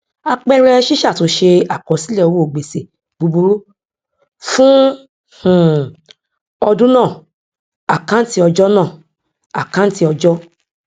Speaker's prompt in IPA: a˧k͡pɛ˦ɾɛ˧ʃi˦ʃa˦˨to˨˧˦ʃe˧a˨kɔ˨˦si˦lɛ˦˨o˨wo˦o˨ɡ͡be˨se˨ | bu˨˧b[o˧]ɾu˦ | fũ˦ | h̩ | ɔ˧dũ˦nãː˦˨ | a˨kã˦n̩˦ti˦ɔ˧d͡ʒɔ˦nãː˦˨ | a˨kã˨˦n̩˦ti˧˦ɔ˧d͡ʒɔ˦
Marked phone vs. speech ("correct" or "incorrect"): incorrect